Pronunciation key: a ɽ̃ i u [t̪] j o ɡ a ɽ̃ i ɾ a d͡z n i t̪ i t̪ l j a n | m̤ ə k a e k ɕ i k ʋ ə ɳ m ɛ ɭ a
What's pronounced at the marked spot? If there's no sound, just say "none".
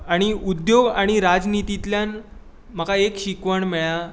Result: d̪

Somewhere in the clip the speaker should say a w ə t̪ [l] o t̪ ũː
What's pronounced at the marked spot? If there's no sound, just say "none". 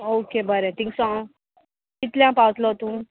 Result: l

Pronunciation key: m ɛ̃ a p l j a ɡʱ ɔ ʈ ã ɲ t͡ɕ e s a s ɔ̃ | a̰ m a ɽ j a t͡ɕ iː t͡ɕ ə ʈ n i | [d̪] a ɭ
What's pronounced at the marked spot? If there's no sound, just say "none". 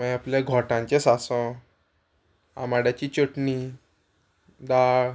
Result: d̪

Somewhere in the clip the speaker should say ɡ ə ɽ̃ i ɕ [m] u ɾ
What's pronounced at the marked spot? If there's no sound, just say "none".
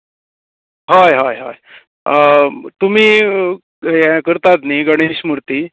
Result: m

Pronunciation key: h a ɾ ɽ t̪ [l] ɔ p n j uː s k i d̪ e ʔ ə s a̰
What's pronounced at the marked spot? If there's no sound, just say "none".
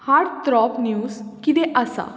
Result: ɾ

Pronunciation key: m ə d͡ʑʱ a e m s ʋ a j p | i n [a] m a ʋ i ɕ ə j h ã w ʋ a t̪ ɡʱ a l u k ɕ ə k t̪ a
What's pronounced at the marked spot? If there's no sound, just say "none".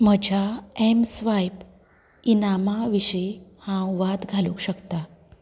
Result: a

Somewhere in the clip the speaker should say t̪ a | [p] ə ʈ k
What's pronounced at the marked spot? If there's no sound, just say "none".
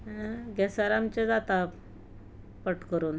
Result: p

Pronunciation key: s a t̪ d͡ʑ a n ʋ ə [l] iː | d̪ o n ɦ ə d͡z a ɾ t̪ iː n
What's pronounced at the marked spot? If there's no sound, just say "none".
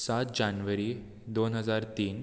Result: ɾ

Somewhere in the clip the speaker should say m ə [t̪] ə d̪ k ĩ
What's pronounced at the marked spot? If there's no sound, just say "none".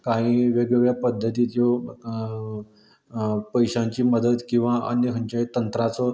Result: d̪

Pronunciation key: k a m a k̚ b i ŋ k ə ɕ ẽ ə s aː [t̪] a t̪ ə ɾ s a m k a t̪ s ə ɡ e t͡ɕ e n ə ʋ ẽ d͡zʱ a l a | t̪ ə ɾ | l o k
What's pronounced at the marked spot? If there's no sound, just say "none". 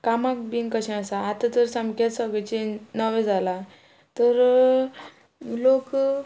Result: t̪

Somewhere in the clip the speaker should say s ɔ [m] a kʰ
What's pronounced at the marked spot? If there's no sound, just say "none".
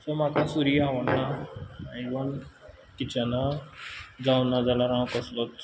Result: m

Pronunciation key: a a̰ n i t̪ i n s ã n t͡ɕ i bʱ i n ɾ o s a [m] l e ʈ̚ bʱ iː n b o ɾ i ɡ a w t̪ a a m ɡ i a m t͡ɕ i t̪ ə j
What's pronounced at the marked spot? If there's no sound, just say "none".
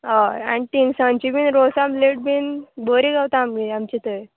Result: m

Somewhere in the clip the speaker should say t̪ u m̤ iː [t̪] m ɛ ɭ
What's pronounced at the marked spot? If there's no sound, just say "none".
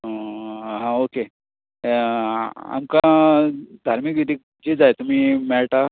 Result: none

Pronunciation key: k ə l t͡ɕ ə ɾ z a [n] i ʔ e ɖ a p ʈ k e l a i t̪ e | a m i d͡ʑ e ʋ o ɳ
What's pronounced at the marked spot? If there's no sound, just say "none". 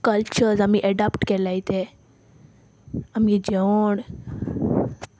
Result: m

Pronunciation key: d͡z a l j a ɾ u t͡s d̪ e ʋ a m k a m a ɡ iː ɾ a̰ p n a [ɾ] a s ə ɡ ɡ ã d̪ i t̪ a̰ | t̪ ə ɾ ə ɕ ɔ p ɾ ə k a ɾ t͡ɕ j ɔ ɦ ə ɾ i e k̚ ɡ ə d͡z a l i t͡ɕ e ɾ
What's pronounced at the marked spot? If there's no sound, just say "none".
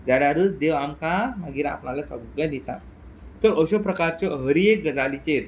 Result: l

